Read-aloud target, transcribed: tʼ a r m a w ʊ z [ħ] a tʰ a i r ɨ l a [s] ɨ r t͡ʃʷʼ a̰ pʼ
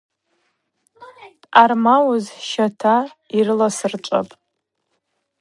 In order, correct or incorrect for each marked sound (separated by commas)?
incorrect, correct